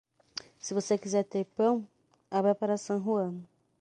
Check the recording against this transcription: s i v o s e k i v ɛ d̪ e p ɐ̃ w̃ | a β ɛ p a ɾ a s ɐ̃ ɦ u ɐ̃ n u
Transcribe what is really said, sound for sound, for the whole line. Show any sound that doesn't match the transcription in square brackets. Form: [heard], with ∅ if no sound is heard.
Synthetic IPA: s i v o s e k i [z] ɛ [t̪] e p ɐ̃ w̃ | a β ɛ p a ɾ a s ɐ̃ ɦ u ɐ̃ n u